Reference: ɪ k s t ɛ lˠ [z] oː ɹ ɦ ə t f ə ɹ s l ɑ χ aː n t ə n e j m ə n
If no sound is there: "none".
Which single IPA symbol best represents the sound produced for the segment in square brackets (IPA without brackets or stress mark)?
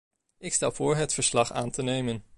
v